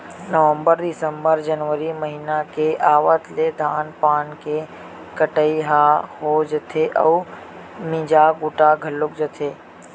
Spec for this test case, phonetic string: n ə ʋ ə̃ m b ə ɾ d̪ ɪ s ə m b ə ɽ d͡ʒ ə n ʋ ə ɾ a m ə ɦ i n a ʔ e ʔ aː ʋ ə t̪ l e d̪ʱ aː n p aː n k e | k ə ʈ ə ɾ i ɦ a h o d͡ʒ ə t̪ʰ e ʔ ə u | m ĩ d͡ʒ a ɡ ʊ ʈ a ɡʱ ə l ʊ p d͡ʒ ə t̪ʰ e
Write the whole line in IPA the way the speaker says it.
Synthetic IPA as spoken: n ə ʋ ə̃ m b ə ɾ d̪ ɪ s ə m b ə ɾ d͡ʒ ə n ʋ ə ɾ i m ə ɦ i n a k e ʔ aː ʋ ə t̪ l e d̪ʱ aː n p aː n k e | k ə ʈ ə i ɦ a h o d͡ʒ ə t̪ʰ e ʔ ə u | m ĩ d͡ʒ a ɡ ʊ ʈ a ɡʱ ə l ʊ k d͡ʒ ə t̪ʰ e